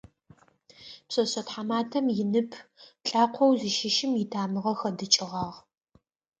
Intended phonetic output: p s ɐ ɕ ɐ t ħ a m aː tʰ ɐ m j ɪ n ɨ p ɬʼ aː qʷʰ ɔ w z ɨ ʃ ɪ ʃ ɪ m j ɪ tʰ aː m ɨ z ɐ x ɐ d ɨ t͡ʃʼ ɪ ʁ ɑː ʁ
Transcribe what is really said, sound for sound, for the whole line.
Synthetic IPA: p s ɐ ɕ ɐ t ħ a m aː tʰ ɐ m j ɪ n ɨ pʰ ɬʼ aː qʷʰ ɔ w z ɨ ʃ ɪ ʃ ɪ m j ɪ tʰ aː m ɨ ʁ ɐ x ɐ d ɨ t͡ʃʼ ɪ ʁ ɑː ʁ